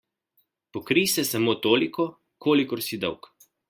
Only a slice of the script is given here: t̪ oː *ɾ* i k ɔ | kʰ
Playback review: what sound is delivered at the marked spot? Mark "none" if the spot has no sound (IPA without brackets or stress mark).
l